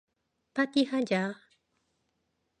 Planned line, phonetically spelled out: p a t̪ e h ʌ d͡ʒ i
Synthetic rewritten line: p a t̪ i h a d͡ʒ a